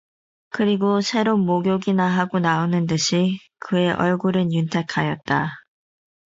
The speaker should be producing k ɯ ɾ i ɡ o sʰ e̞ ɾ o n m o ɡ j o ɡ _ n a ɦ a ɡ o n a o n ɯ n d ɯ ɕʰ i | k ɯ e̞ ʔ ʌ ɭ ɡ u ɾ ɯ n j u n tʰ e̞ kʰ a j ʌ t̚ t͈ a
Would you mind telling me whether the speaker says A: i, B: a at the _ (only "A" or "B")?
A